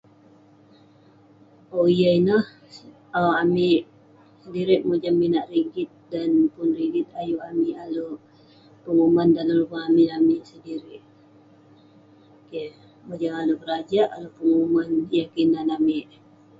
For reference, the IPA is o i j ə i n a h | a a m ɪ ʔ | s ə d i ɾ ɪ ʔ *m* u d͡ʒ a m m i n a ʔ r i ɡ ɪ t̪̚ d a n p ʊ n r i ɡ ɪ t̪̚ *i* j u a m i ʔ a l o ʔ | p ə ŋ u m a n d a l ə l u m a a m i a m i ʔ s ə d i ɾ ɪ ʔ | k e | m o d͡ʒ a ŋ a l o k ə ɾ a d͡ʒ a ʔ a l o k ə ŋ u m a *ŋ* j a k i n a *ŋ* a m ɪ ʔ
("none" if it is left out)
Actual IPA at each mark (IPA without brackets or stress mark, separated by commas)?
m, a, n, n